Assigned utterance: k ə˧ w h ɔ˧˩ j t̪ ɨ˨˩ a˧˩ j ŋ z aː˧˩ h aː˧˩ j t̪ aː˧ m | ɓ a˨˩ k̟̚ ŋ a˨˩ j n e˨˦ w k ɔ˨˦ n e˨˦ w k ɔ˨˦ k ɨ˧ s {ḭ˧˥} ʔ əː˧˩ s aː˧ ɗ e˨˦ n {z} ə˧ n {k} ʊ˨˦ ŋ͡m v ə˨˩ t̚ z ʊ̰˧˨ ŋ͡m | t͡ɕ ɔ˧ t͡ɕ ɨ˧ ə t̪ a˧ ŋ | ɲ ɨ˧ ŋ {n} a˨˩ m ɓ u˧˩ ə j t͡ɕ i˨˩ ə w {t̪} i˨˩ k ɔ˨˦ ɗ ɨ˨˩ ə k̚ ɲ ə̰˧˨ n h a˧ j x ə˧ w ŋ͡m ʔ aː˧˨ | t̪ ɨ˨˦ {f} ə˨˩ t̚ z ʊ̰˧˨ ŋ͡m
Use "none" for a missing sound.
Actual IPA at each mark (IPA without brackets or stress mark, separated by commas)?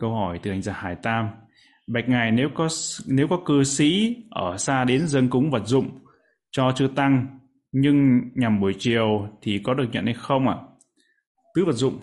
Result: ḭ˧˥, z, k, ɲ, t̪ʰ, v